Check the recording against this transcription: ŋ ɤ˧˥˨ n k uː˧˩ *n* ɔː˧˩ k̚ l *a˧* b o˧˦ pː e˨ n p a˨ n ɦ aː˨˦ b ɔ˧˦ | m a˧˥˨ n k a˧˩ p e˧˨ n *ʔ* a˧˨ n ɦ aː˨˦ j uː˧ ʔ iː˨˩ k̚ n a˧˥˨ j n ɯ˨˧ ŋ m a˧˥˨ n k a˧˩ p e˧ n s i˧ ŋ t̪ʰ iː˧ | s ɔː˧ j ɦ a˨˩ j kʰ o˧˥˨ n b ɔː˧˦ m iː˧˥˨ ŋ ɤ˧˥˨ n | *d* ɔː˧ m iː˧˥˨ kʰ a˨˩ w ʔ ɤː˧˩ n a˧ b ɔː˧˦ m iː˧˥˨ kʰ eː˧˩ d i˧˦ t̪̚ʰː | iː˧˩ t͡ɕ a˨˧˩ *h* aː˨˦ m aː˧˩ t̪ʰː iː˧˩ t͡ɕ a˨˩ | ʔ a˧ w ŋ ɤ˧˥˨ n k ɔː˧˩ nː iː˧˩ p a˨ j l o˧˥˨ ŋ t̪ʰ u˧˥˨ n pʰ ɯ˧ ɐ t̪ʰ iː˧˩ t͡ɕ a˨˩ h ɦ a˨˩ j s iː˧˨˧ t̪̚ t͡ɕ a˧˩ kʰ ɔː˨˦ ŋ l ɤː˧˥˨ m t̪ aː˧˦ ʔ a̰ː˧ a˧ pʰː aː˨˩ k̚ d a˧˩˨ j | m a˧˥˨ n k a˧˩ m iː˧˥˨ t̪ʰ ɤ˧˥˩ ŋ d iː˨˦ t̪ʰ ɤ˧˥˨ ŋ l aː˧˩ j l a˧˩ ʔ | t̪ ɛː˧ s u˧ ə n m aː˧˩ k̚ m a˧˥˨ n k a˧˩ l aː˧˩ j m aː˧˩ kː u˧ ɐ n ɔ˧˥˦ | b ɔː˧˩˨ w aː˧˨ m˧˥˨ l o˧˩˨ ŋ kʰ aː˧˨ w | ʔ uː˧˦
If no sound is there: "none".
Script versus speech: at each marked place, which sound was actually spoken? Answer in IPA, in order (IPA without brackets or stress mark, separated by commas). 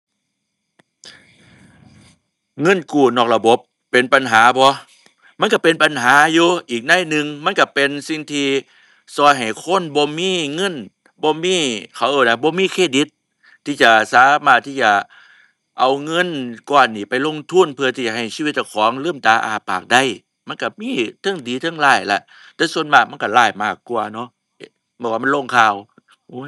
n, a˧, p, b, s